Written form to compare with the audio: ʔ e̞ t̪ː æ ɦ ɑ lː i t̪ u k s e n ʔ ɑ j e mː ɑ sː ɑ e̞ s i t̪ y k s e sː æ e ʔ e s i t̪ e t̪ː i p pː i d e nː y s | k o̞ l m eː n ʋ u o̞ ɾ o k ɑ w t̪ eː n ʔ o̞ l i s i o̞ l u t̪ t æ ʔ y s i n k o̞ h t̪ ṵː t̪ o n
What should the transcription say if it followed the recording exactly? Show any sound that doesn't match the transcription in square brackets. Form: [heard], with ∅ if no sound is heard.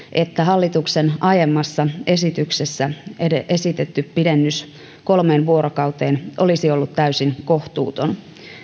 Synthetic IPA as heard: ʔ e̞ t̪ː æ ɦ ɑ lː i t̪ u k s e n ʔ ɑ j e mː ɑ sː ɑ e̞ s i t̪ y k s e sː æ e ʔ e s i t̪ e t̪ː [y] p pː i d e nː y s | k o̞ l m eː n ʋ u o̞ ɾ o k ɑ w t̪ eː n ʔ o̞ l i s i o̞ [lː] u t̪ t æ [∅] y s i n k o̞ h t̪ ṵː t̪ o n